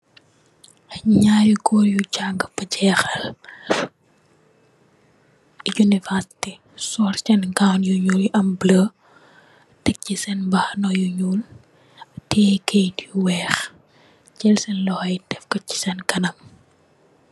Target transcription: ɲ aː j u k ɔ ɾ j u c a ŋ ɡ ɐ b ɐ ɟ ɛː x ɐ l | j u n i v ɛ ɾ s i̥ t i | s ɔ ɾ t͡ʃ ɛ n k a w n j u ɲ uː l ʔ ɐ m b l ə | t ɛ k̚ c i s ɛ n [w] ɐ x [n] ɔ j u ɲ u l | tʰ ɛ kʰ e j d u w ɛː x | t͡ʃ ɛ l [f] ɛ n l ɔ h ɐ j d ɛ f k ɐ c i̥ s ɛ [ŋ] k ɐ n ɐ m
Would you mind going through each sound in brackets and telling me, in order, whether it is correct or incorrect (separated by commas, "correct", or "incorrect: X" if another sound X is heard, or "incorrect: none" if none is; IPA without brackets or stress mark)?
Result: incorrect: b, correct, incorrect: s, incorrect: n